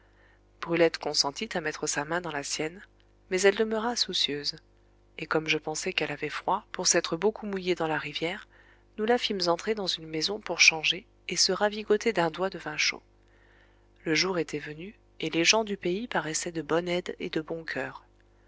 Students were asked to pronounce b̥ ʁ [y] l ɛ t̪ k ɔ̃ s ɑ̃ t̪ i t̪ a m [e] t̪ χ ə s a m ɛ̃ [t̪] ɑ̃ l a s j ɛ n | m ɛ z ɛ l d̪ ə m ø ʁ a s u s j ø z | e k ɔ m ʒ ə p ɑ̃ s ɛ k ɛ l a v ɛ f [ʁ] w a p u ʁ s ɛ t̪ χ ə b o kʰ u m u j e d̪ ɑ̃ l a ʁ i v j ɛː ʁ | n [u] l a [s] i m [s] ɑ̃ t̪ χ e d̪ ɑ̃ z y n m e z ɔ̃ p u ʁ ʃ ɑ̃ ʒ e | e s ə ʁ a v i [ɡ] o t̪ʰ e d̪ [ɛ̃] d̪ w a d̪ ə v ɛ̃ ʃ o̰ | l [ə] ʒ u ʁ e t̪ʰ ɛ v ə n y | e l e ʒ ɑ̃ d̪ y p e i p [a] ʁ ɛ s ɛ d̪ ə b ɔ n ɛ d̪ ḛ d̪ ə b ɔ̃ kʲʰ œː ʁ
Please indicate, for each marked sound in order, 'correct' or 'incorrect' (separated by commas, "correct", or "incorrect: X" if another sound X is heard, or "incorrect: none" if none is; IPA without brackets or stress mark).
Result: correct, incorrect: ɛ, incorrect: d̪, incorrect: χ, correct, incorrect: f, incorrect: z, correct, correct, correct, correct